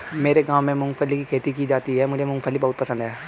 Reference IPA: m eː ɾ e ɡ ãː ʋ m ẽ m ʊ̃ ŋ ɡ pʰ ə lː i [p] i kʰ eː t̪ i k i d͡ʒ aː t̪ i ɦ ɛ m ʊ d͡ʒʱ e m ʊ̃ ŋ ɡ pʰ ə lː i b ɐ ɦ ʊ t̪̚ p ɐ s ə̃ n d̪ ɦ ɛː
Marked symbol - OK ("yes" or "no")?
no